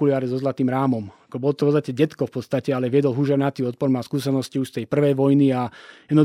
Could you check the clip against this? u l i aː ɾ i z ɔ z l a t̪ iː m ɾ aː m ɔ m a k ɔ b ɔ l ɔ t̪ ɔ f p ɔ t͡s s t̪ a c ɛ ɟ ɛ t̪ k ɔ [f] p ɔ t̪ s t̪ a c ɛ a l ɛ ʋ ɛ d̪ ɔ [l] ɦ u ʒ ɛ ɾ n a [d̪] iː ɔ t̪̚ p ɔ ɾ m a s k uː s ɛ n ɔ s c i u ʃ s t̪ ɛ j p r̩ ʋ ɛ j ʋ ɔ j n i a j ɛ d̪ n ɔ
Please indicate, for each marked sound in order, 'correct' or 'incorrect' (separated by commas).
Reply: correct, correct, incorrect